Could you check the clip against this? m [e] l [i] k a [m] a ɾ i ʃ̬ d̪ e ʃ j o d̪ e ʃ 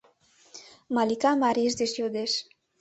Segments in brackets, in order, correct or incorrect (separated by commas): incorrect, correct, correct